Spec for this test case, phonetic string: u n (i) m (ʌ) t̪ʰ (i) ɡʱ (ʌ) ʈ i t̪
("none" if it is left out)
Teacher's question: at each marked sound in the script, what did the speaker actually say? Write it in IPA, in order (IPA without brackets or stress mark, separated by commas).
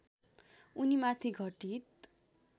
i, a, i, ʌ